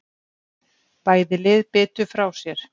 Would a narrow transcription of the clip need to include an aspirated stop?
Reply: no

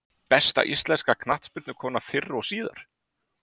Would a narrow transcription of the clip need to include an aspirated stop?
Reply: yes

